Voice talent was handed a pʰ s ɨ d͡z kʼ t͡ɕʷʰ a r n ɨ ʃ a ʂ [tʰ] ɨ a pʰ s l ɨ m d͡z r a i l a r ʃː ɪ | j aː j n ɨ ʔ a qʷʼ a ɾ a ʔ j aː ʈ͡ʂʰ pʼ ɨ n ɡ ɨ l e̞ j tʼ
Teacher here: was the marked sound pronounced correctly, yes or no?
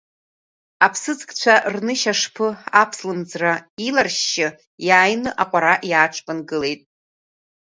no